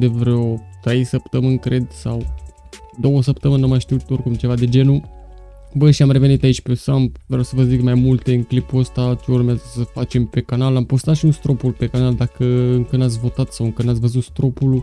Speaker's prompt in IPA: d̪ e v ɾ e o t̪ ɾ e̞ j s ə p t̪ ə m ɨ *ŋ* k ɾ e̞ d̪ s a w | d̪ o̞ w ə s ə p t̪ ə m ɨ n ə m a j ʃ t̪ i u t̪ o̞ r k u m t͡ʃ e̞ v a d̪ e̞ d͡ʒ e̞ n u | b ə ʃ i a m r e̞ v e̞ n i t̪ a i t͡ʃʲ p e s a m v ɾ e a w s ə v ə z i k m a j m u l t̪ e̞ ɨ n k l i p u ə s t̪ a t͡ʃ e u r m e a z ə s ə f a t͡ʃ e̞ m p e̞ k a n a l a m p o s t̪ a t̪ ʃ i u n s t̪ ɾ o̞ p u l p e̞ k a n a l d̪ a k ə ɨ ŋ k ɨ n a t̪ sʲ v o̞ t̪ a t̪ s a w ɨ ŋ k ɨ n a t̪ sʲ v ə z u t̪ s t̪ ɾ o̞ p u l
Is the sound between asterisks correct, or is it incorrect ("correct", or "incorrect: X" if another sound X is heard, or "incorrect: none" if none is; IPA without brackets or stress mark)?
incorrect: n